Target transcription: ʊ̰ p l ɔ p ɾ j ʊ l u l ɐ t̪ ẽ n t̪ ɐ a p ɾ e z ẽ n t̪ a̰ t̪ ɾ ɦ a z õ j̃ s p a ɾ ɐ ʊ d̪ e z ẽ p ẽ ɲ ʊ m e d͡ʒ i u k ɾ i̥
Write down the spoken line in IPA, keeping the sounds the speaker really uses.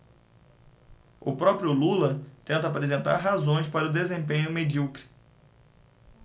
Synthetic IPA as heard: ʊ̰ p ɾ ɔ p ɾ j ʊ l u l ɐ t̪ ẽ n t̪ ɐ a p ɾ e z ẽ n t̪ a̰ ɾ ɦ a z õ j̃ s p a ɾ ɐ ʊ d̪ e z ẽ p ẽ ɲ ʊ m e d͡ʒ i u k ɾ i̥